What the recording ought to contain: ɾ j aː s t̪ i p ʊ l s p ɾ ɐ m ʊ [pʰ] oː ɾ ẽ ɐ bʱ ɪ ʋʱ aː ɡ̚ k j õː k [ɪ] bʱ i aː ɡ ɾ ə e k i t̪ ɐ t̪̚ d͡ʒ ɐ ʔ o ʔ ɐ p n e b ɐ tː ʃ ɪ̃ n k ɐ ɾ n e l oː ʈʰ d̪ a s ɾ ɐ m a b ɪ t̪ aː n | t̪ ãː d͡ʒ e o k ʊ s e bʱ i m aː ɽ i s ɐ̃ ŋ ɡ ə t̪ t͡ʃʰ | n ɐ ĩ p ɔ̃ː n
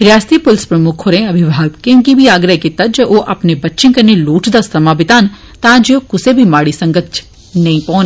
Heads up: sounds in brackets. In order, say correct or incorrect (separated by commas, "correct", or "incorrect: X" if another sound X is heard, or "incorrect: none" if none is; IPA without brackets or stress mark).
incorrect: kʰ, incorrect: i